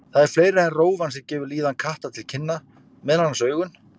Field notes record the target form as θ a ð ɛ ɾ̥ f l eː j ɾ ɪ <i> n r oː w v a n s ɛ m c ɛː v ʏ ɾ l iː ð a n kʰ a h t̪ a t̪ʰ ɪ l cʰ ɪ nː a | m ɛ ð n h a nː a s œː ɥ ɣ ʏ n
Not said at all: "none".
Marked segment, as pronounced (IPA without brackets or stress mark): ɛ